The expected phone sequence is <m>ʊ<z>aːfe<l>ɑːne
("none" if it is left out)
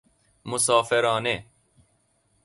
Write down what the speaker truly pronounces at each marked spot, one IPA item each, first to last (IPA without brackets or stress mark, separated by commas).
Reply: m, s, ɾ